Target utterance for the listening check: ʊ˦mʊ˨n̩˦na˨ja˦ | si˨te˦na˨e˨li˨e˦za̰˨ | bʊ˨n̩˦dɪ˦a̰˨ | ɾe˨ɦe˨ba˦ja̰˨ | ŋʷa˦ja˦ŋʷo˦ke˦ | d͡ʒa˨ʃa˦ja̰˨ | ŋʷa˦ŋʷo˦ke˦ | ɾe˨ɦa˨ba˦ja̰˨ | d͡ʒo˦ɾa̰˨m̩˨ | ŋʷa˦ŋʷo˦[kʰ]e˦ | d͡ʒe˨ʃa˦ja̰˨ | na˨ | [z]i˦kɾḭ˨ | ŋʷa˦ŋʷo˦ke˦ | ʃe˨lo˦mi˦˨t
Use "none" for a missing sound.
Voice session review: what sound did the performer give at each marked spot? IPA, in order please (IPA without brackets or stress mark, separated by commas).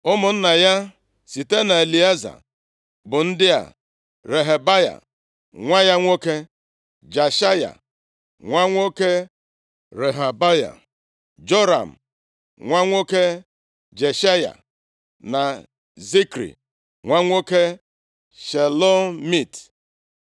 k, z